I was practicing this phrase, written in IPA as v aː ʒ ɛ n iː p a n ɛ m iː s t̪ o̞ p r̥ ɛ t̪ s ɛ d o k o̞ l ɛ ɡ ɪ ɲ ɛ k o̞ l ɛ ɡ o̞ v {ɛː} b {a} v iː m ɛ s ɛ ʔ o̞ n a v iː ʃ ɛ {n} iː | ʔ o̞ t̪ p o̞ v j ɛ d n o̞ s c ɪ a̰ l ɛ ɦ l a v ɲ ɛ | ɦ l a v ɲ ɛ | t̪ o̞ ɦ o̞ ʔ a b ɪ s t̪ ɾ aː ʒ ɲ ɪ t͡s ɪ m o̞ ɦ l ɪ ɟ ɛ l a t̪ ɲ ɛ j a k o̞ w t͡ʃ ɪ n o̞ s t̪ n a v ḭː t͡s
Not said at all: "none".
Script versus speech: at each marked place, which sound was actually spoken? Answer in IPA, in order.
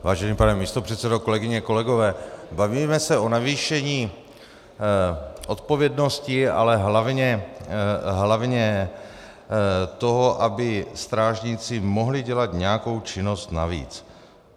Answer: ɛː, a, ɲ

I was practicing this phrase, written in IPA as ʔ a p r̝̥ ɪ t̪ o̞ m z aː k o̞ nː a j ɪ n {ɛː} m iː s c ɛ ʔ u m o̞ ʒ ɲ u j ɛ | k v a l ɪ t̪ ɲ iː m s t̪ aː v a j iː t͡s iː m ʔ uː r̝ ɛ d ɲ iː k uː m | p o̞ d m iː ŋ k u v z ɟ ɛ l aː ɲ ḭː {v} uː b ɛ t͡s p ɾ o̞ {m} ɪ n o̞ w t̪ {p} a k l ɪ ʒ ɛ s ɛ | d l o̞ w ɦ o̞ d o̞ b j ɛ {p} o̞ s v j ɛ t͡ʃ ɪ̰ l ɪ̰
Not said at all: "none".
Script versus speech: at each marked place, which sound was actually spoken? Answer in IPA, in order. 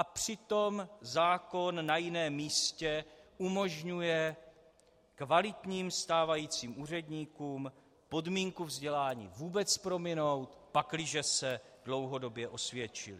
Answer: ɛː, v, m, p, ʔ

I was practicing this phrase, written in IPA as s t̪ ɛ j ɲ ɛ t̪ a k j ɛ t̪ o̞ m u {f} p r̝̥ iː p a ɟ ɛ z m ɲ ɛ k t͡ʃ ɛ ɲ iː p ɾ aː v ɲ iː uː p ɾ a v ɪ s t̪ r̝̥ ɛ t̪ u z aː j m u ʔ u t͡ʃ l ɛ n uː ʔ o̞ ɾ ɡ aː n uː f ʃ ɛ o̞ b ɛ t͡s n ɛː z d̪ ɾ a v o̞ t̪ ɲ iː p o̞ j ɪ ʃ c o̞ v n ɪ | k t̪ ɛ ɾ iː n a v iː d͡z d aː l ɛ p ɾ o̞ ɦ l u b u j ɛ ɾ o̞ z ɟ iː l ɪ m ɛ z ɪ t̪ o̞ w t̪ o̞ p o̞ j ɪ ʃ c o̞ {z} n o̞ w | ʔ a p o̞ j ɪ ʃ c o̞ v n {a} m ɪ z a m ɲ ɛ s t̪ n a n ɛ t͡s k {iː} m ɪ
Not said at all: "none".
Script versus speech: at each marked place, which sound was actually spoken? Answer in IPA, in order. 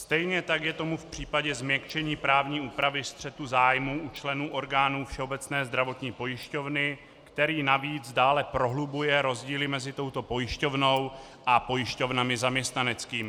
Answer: f, v, a, iː

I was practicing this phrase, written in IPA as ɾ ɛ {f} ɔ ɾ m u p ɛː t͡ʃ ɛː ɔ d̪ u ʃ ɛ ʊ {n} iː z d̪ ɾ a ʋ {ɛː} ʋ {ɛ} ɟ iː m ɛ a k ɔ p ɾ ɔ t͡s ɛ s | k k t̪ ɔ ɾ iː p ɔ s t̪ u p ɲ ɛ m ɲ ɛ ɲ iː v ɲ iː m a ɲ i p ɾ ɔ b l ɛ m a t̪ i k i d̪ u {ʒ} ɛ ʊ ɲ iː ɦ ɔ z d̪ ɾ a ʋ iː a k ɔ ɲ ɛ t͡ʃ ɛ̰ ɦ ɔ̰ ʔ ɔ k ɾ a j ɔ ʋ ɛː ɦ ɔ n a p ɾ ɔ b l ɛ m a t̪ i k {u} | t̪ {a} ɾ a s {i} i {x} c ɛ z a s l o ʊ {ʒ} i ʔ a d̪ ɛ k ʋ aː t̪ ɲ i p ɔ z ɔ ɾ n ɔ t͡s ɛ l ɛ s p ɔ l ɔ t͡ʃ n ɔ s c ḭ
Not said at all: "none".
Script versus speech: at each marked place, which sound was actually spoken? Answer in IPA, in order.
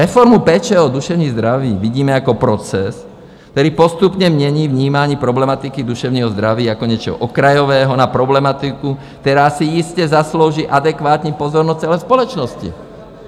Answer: f, ɲ, iː, i, ʃ, u, ɛ, i, s, ʒ

